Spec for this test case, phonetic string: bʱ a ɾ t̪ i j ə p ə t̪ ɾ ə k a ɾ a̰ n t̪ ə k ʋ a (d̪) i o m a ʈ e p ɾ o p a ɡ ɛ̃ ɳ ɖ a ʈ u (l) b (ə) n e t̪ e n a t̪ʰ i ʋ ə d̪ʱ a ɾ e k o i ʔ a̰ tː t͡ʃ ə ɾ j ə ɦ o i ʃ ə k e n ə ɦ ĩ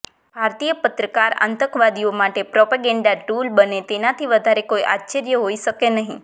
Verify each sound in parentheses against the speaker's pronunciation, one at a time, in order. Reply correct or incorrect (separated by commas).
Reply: correct, correct, correct